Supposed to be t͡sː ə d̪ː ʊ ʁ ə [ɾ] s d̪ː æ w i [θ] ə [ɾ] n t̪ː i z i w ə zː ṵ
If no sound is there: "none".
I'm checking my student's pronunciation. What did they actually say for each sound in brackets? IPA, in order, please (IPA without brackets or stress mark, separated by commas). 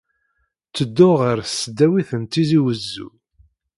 ɾ, θ, none